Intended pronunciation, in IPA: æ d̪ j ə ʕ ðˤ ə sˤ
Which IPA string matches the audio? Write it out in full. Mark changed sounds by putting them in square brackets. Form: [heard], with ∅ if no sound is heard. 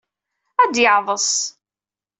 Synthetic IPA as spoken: æ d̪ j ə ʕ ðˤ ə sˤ